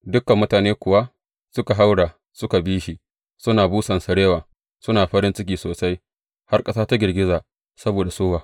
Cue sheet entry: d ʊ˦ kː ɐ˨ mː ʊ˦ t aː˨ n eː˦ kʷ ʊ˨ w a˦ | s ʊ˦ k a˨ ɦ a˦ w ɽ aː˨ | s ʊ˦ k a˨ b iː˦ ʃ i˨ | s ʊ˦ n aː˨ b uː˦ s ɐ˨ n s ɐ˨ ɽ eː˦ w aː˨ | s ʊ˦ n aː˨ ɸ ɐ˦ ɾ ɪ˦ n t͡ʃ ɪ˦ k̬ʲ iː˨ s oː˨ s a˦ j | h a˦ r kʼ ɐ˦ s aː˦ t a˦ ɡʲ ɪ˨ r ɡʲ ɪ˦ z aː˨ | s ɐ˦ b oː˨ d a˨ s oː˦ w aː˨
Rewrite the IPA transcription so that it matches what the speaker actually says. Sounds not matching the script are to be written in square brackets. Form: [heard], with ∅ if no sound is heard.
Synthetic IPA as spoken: d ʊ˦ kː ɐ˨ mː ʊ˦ t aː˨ n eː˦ kʷ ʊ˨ w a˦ | s ʊ˦ k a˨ ɦ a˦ w ɽ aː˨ | s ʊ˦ k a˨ b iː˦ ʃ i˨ | s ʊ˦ n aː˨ b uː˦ s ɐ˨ n s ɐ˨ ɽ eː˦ w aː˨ | s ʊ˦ n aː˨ ɸ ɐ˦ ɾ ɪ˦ n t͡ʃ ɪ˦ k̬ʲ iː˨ s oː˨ s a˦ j | h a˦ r kʼ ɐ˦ s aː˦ t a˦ ɡʲ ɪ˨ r ɡʲ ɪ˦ z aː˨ | s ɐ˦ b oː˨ d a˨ s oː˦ w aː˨